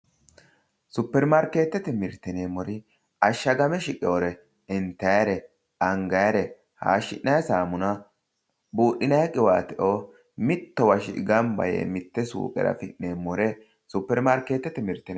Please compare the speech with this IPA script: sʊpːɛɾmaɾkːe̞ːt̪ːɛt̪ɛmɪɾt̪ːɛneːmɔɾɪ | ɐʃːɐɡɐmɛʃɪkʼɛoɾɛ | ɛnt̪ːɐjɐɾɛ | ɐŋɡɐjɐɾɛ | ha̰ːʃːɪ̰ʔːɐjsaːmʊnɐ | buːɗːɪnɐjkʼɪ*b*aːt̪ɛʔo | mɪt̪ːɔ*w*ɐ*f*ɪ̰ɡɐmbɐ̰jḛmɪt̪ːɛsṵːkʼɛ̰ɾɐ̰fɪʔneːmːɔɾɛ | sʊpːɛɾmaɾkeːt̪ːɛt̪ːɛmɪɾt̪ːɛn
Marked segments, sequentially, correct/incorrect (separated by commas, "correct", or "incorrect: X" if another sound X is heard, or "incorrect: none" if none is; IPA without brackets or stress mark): incorrect: w, correct, incorrect: ʃ